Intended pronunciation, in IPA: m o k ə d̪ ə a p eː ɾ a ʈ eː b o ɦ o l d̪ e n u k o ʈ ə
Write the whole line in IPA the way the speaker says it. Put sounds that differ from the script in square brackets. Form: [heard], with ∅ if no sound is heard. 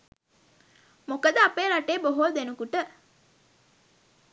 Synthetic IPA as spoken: m o k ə d̪ ə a p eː ɾ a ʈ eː b o ɦ o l d̪ e n u k [u] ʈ ə